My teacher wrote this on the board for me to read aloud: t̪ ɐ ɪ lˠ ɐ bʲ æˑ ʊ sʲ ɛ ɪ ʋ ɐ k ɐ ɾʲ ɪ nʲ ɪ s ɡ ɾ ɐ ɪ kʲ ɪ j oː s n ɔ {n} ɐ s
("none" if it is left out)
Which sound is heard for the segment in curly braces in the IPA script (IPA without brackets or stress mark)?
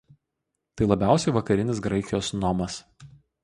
m